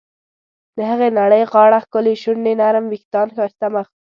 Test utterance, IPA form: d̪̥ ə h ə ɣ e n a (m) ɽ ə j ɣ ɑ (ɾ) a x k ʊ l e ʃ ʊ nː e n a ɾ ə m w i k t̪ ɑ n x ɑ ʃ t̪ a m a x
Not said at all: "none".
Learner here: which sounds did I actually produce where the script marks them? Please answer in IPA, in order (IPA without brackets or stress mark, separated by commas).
none, ɽ